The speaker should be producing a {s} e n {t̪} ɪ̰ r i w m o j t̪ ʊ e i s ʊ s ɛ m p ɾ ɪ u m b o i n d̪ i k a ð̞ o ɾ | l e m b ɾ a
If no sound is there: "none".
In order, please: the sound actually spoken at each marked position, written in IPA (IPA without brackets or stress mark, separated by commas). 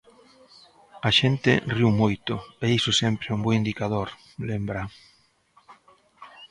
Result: ʃ, t̪